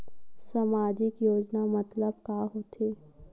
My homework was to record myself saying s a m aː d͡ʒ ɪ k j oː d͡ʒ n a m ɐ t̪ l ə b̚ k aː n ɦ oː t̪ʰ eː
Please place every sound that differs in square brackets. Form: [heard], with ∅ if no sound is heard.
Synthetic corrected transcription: s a m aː d͡ʒ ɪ k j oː d͡ʒ n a m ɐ t̪ l ə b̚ k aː [∅] ɦ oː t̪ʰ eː